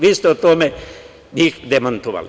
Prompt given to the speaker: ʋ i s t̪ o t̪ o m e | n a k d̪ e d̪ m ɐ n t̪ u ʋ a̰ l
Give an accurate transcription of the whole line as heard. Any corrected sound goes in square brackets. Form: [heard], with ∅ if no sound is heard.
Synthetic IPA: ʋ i s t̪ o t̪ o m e | n [i] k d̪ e [∅] m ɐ n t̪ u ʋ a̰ l